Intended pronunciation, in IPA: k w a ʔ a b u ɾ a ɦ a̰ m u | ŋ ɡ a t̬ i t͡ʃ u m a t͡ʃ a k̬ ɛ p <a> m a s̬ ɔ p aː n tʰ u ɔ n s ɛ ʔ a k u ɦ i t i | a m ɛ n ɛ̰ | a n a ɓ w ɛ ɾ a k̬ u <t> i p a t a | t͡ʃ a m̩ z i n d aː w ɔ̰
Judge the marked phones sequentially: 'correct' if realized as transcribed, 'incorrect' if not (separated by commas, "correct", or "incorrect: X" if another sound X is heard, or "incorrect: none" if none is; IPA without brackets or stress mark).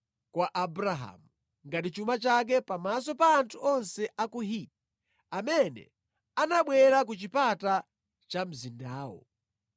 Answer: correct, incorrect: t͡ʃ